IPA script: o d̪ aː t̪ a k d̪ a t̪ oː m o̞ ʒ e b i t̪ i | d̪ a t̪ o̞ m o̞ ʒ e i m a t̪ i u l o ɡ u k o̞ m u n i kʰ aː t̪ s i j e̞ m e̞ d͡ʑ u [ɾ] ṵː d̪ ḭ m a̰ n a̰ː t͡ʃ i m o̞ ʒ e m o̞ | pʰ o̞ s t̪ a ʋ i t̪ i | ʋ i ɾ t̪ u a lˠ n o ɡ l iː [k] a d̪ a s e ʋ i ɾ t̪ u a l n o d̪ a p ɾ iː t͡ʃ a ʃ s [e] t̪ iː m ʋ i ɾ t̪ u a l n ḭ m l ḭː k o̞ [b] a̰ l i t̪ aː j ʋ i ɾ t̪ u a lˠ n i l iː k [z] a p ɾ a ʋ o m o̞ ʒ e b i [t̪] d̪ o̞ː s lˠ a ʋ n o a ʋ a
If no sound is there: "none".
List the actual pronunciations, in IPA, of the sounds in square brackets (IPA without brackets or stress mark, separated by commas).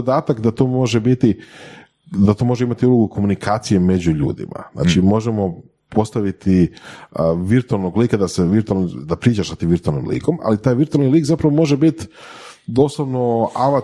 ʎ, k, a, m, z, t̪